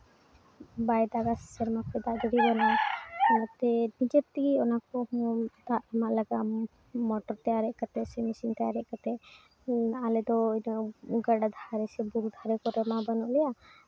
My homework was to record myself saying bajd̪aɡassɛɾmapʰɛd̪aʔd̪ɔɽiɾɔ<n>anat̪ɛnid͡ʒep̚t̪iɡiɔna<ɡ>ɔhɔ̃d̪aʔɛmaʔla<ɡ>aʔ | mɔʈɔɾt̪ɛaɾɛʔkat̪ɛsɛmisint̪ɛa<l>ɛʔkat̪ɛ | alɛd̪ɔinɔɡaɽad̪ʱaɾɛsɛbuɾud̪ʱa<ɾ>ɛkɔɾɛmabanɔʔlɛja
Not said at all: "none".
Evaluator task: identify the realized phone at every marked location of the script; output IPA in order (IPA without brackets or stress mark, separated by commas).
n, k, ɡ, ɾ, ɾ